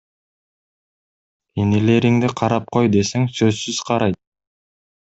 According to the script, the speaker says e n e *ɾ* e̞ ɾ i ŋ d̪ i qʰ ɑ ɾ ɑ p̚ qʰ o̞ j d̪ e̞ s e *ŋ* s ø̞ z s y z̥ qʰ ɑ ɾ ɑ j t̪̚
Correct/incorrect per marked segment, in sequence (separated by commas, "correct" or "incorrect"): incorrect, correct